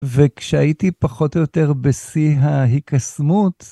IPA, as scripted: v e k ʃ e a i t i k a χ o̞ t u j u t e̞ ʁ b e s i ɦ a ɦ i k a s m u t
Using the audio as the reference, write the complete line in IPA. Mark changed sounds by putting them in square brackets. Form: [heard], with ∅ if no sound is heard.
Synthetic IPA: v e k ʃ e a i t i [p] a χ o̞ t [o] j [o] t e̞ ʁ b e s i ɦ a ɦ i k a s m u t